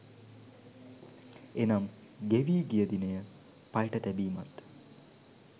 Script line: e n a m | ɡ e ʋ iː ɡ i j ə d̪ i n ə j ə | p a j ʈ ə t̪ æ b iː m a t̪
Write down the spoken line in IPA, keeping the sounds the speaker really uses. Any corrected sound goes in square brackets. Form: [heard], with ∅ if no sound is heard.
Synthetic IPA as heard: e n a m | ɡ e ʋ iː ɡ i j ə d̪ i n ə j ə | p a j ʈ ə t̪ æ b iː m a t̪